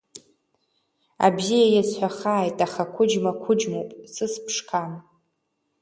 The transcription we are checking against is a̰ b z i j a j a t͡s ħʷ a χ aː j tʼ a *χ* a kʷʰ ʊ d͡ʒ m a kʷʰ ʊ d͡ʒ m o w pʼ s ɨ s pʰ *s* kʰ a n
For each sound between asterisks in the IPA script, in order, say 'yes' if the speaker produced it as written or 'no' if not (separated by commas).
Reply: yes, no